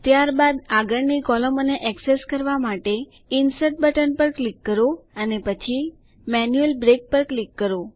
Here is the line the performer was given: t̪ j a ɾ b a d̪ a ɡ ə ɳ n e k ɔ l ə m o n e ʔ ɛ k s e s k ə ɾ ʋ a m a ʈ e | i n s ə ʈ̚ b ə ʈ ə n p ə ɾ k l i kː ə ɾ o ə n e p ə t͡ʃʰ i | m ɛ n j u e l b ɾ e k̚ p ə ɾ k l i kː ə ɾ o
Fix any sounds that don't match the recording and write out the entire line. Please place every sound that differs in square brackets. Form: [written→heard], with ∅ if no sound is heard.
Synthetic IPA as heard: t̪ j a ɾ b a d̪ a ɡ ə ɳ n [e→i] k ɔ l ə m o n e ʔ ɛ k s e s k ə ɾ ʋ a m a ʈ e | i n s ə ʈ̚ b ə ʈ ə n p ə ɾ k l i kː ə ɾ o ə n e p ə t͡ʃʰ i | m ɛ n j u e l b ɾ e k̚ p ə ɾ k l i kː ə ɾ o